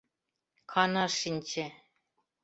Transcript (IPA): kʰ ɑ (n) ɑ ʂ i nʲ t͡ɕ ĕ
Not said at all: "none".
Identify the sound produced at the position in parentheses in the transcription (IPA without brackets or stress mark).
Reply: n